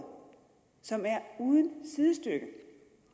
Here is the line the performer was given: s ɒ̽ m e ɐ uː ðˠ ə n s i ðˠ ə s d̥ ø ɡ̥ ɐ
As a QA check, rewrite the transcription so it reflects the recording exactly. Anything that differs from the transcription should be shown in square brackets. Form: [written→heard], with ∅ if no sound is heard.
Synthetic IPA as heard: s ɒ̽ m [e→æ] ɐ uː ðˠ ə n s i ðˠ ə s d̥ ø ɡ̥ [ɐ→ə]